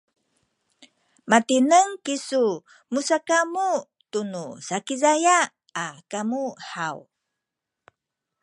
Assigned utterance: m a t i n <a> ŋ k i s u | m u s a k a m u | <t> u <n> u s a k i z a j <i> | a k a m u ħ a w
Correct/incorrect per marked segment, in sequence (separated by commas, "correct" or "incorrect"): incorrect, correct, correct, incorrect